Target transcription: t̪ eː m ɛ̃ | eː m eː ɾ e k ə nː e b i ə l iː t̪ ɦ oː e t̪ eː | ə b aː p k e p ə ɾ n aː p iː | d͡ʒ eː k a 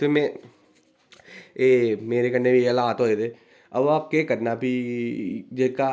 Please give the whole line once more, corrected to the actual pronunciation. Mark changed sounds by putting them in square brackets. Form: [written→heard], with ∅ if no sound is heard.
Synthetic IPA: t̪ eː m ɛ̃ | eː m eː ɾ e k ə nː e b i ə l [iː→aː] t̪ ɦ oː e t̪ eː | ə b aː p k e [p→k] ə ɾ n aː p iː | d͡ʒ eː k a